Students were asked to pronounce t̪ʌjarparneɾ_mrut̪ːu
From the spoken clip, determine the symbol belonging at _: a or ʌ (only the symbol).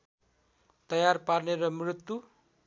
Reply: ʌ